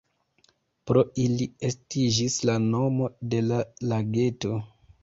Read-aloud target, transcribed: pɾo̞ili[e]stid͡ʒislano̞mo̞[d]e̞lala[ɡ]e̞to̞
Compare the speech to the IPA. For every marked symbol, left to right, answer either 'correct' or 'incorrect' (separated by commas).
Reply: correct, correct, correct